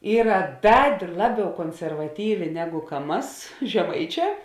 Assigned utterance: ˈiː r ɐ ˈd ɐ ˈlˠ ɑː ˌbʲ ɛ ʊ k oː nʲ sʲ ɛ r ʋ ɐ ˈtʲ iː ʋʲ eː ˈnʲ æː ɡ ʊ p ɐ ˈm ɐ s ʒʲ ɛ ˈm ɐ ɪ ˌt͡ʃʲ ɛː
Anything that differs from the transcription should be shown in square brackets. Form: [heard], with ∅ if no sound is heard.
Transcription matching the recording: ˈiː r ɐ ˈd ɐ ˈlˠ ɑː ˌbʲ ɛ ʊ k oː nʲ sʲ ɛ r ʋ ɐ ˈtʲ iː ʋʲ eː ˈnʲ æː ɡ ʊ [k] ɐ ˈm ɐ s ʒʲ ɛ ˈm ɐ ɪ ˌt͡ʃʲ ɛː

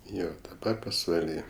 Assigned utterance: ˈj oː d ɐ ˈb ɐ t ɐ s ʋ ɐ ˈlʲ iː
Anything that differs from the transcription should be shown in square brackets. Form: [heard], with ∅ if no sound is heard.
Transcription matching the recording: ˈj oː d ɐ ˈb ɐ [p] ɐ s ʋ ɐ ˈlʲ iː

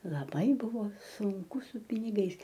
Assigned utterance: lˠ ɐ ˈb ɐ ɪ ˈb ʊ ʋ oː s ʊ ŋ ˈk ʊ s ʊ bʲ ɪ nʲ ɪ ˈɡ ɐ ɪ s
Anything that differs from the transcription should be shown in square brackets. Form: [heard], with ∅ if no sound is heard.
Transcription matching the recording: lˠ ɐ ˈb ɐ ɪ ˈb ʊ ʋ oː s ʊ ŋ ˈk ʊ s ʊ [pʲ] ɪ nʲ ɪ ˈɡ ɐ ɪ s

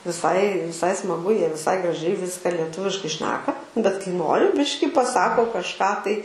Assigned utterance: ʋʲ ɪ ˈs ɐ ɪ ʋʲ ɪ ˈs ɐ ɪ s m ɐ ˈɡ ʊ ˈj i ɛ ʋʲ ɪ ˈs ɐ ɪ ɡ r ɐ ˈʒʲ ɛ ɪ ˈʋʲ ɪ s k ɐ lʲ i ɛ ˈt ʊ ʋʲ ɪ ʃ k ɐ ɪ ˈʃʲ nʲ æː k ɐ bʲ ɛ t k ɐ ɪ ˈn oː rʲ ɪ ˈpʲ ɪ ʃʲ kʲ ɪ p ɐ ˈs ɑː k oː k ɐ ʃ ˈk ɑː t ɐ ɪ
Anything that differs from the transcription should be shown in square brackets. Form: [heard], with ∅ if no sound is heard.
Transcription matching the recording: ʋʲ ɪ ˈs ɐ ɪ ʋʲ ɪ ˈs ɐ ɪ s m ɐ ˈɡ ʊ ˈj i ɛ ʋʲ ɪ ˈs ɐ ɪ ɡ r ɐ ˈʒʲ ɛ ɪ ˈʋʲ ɪ s k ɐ lʲ i ɛ ˈt ʊ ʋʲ ɪ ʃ k ɐ ɪ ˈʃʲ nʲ æː k ɐ bʲ ɛ t k ɐ ɪ ˈn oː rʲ ɪ [ˈbʲ] ɪ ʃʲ kʲ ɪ p ɐ ˈs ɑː k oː k ɐ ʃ ˈk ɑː t ɐ ɪ

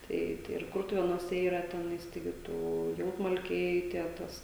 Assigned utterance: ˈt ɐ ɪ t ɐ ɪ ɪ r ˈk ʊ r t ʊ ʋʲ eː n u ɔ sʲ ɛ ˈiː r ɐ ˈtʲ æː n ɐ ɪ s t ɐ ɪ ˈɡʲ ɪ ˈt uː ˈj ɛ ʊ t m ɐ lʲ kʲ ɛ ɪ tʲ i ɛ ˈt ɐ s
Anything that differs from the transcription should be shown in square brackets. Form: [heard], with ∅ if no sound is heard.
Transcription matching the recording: ˈt ɐ ɪ t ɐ ɪ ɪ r ˈk ʊ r t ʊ ʋʲ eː n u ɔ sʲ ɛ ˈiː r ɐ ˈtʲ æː n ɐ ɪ s t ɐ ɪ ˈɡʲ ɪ ˈt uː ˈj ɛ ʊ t m ɐ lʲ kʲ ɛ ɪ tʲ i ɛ ˈt ɐ s

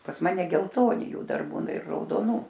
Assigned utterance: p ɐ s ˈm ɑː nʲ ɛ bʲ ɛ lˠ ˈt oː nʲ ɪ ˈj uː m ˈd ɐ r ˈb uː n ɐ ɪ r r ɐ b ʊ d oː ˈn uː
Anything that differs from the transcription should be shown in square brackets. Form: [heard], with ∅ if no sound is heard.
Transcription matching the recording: p ɐ s ˈm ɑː nʲ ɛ [ɡʲ] ɛ lˠ ˈt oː nʲ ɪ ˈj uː [∅] ˈd ɐ r ˈb uː n ɐ ɪ r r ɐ [∅] ʊ d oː ˈn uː

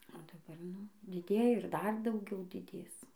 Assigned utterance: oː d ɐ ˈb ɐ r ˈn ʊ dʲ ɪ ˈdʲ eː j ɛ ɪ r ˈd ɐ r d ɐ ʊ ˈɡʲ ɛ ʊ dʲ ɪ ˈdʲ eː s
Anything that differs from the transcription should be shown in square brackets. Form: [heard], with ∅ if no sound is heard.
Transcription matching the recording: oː d ɐ ˈb ɐ r ˈn ʊ dʲ ɪ ˈdʲ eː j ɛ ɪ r ˈd ɐ r d ɐ ʊ ˈɡʲ ɛ ʊ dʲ ɪ ˈdʲ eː s

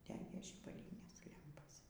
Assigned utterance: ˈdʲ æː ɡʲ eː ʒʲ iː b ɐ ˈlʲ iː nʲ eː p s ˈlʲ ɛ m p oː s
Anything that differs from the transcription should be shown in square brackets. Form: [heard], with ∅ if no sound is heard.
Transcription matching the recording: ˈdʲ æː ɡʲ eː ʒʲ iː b ɐ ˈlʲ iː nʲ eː [∅] s ˈlʲ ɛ m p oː s

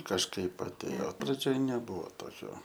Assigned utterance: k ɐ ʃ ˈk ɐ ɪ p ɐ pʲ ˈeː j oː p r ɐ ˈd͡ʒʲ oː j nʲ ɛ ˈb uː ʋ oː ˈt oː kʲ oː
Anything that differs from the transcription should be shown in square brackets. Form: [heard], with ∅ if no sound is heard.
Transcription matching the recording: k ɐ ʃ ˈk ɐ ɪ p ɐ [tʲ] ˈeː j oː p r ɐ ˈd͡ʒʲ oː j nʲ ɛ ˈb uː ʋ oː ˈt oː kʲ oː

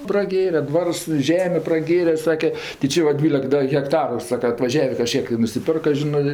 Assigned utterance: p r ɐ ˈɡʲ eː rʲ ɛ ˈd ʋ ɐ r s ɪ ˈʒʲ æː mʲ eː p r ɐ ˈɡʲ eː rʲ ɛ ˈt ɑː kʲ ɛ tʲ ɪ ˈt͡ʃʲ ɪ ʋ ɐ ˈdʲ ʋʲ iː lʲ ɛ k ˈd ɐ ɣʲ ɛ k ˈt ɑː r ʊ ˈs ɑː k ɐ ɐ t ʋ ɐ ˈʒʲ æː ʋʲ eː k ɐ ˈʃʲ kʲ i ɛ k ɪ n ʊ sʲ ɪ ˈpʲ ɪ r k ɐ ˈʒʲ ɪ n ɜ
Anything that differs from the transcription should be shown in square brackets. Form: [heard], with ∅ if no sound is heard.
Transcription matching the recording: p r ɐ ˈɡʲ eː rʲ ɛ ˈd ʋ ɐ r s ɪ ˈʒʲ æː mʲ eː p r ɐ ˈɡʲ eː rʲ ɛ [ˈs] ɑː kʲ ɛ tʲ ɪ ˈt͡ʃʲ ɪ ʋ ɐ ˈdʲ ʋʲ iː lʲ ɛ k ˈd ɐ ɣʲ ɛ k ˈt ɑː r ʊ ˈs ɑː k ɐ ɐ t ʋ ɐ ˈʒʲ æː ʋʲ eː k ɐ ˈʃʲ kʲ i ɛ k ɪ n ʊ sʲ ɪ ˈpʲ ɪ r k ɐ ˈʒʲ ɪ n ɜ

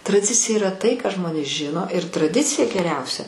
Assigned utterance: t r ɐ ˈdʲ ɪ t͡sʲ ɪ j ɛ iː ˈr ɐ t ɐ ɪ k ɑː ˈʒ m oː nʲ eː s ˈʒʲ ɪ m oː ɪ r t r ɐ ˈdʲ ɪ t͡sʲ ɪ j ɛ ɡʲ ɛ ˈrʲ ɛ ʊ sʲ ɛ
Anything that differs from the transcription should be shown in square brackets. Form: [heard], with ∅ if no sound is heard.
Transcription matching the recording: t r ɐ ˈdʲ ɪ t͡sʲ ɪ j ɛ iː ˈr ɐ t ɐ ɪ k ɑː ˈʒ m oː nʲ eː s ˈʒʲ ɪ [n] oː ɪ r t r ɐ ˈdʲ ɪ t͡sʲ ɪ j ɛ ɡʲ ɛ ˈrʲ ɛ ʊ sʲ ɛ

